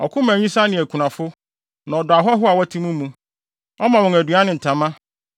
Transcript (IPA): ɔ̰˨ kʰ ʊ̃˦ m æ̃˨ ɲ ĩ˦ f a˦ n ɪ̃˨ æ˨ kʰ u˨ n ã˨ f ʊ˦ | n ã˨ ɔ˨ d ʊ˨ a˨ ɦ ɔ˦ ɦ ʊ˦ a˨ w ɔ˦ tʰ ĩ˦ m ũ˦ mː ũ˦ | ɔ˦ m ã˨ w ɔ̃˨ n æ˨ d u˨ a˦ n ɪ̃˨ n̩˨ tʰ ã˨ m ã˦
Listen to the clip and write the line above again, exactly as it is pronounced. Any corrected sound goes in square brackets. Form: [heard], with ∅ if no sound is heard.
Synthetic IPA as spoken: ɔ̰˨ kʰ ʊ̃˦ m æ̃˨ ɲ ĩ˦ [s] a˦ n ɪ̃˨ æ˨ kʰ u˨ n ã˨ f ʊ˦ | n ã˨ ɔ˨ d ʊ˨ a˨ ɦ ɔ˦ ɦ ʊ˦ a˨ w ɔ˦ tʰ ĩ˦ m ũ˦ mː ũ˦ | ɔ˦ m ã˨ w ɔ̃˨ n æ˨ d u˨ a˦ n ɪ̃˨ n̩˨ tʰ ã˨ m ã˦